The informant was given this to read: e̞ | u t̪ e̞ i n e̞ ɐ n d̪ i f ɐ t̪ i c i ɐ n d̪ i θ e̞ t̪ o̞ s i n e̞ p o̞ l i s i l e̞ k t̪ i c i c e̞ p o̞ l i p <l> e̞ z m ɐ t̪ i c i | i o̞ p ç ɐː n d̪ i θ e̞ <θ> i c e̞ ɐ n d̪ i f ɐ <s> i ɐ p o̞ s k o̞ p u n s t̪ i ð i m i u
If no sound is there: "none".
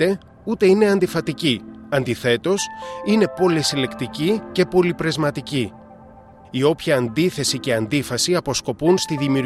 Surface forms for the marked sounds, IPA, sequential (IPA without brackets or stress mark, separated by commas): ɾ, s, s